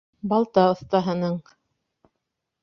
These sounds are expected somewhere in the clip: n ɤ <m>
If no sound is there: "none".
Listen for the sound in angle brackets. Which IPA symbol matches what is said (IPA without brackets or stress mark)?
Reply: ɴ